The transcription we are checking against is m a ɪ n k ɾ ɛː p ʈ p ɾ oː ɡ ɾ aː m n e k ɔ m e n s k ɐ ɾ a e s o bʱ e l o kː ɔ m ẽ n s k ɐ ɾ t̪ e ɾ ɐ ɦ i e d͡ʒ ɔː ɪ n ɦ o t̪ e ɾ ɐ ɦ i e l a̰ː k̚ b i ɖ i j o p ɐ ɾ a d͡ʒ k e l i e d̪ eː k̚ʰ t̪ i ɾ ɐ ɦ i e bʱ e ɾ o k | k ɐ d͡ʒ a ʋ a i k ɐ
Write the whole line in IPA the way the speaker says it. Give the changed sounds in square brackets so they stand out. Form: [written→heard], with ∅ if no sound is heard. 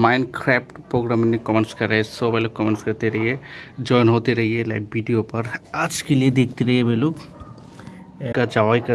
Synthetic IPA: m a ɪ n k ɾ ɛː p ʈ p ɾ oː ɡ ɾ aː m n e k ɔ m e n s k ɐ ɾ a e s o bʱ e l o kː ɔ m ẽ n s k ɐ ɾ t̪ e ɾ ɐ ɦ i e d͡ʒ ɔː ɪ n ɦ o t̪ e ɾ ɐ ɦ i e l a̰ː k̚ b i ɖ i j o p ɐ ɾ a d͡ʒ k e l i e d̪ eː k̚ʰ t̪ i ɾ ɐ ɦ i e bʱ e [ɾ→l] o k | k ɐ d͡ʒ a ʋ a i k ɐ